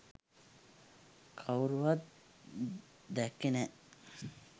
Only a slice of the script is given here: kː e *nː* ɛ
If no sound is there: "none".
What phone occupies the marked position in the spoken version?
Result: n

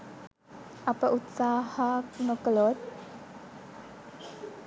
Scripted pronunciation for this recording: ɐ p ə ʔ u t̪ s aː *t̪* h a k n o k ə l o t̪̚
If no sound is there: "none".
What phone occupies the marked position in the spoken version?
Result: none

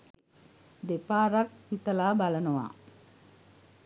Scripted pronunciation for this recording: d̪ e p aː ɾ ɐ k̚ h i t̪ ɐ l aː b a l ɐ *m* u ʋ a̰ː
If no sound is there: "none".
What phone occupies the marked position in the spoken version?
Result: n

